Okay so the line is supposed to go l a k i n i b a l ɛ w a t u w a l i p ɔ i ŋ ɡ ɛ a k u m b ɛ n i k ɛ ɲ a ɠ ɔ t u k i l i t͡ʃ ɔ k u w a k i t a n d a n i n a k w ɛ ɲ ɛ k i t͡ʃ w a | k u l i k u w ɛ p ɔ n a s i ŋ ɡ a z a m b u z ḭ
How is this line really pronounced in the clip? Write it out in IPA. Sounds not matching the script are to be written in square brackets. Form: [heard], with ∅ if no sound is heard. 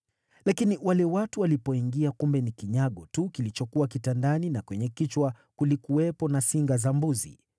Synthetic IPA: l a k i n i [w] a l ɛ w a t u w a l i p ɔ i ŋ ɡ [i] a k u m b ɛ n i k [i] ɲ a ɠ ɔ t u k i l i t͡ʃ ɔ k u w a k i t a n d a n i n a k w ɛ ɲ ɛ k i t͡ʃ w a | k u l i k u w ɛ p ɔ n a s i ŋ ɡ a z a m b u z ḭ